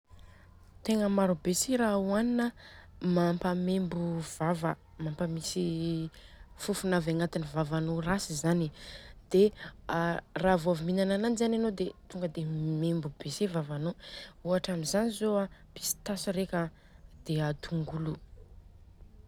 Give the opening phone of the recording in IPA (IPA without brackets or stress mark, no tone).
t̪